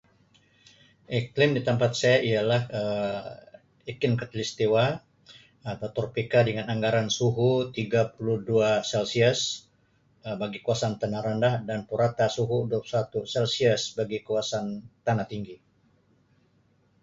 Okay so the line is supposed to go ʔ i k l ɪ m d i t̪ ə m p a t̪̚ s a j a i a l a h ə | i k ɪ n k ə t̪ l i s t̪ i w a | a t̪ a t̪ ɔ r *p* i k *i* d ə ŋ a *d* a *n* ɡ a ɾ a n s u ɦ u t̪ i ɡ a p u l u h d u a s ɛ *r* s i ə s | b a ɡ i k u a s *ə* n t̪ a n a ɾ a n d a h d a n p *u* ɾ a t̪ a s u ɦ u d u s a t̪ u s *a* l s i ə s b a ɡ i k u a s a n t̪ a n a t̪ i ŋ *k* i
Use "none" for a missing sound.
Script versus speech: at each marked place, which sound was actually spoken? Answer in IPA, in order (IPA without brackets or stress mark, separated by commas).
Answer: p, a, n, ŋ, l, a, u, ɛ, ɡ